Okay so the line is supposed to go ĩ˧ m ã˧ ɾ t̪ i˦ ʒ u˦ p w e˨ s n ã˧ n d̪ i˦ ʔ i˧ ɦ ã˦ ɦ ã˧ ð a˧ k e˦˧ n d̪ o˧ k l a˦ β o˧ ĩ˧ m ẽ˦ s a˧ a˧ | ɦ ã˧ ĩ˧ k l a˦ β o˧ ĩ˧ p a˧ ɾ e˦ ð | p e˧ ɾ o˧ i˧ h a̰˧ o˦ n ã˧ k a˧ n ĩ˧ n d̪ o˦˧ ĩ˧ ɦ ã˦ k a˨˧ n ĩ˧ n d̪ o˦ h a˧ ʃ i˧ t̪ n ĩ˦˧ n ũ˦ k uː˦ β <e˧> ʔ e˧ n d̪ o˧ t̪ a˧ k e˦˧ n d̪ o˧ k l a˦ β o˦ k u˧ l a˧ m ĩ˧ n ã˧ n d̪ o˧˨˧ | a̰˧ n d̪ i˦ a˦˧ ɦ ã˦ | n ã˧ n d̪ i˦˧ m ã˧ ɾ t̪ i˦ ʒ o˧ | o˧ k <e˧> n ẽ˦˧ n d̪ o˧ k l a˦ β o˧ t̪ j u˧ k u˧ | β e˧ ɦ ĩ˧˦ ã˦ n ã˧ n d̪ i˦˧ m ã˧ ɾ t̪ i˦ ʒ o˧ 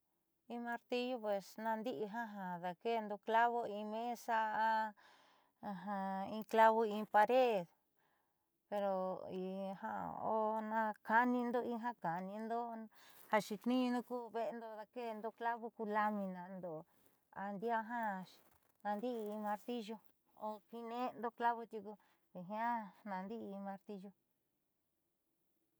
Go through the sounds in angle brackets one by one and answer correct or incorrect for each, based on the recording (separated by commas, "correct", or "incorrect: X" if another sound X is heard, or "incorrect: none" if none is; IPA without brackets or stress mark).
correct, incorrect: i˧